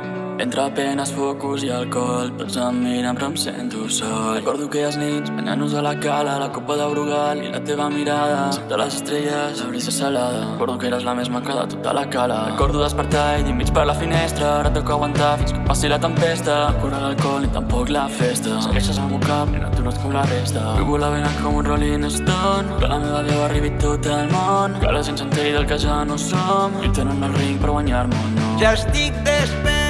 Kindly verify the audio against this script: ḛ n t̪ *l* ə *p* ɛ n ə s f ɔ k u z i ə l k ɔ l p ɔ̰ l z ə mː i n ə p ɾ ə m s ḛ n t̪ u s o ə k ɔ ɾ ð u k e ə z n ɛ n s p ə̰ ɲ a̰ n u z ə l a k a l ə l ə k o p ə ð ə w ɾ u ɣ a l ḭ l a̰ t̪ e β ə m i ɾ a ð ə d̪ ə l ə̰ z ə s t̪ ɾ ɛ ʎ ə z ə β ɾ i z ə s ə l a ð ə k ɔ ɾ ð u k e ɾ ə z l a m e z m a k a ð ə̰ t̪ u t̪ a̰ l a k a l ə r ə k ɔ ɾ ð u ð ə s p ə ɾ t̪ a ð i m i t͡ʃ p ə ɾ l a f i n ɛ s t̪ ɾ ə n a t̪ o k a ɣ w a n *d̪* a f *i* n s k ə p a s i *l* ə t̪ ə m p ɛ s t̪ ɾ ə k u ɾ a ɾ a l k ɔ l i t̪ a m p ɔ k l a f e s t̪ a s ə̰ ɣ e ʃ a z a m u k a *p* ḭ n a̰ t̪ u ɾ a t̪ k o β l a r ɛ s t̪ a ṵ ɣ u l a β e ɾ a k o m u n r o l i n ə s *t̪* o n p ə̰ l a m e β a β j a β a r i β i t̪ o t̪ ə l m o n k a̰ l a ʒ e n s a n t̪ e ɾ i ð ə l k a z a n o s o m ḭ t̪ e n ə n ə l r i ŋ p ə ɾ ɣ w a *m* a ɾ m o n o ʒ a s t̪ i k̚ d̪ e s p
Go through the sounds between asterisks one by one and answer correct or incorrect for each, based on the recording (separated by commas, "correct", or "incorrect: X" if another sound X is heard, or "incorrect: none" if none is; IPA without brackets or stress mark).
incorrect: ɾ, correct, incorrect: t̪, correct, correct, correct, correct, incorrect: ɲ